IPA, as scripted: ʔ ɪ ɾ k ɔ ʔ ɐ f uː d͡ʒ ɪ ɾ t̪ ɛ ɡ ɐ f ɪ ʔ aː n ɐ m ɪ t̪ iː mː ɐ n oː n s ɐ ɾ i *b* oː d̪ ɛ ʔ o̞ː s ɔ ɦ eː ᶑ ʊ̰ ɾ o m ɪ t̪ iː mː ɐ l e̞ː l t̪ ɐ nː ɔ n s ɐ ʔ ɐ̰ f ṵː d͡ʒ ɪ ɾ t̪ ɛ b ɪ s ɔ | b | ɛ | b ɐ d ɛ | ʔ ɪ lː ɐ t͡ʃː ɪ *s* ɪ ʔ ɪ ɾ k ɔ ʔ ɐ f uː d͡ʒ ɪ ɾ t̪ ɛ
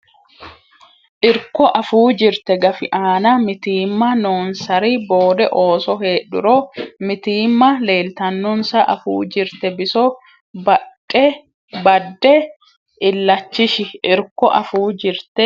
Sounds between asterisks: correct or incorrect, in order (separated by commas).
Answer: correct, incorrect